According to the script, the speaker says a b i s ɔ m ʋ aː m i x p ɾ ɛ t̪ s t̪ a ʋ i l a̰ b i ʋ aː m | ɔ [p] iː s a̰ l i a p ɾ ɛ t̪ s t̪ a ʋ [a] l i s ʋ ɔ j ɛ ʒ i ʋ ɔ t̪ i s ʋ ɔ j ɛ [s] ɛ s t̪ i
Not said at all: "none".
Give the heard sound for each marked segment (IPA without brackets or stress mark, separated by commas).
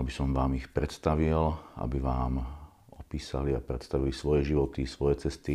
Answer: p, i, t͡s